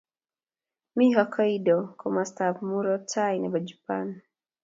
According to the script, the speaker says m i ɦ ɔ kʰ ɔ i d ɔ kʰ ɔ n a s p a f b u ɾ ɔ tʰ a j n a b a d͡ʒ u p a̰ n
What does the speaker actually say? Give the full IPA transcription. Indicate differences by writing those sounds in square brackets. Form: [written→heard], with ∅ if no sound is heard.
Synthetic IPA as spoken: m i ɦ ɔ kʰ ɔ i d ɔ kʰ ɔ [n→m] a s [p→t] a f [b→m] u ɾ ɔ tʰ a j n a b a d͡ʒ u p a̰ n